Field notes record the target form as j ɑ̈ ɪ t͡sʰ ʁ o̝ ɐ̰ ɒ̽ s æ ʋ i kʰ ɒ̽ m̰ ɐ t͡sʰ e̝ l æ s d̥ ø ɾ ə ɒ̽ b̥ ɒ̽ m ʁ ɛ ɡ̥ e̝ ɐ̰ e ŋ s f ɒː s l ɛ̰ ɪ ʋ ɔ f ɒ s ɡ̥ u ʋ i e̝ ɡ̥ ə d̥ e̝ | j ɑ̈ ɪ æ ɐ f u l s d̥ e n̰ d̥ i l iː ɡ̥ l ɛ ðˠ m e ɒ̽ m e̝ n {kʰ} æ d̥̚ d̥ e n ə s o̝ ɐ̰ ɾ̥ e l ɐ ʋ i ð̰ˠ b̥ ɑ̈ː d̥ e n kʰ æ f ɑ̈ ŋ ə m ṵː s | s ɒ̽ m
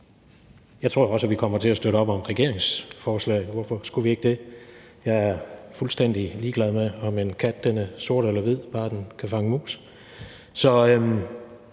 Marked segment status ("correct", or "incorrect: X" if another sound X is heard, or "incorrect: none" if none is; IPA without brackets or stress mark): correct